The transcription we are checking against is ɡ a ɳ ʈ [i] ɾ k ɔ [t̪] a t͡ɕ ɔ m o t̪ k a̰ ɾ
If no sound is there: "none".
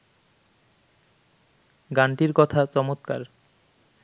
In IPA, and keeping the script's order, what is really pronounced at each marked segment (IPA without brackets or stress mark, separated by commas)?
i, t̪ʰ